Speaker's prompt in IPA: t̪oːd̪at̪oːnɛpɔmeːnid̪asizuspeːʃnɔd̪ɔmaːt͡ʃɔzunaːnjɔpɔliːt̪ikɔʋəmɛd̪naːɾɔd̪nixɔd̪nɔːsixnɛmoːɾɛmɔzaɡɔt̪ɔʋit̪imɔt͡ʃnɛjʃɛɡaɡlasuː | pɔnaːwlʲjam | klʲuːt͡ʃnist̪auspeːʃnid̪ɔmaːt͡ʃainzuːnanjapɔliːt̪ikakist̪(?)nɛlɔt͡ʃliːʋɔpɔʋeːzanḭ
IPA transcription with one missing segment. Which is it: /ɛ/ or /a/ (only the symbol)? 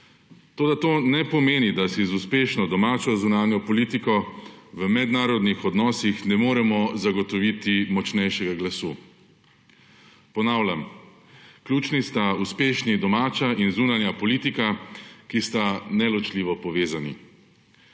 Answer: a